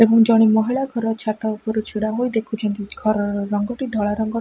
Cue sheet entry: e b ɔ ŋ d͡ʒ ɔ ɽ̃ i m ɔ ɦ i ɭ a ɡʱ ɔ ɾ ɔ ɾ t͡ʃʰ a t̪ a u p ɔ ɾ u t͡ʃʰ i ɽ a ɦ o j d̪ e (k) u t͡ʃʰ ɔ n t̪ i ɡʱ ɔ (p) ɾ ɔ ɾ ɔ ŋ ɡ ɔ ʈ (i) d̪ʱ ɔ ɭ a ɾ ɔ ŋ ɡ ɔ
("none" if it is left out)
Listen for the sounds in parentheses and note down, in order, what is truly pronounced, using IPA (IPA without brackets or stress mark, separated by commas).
kʰ, none, i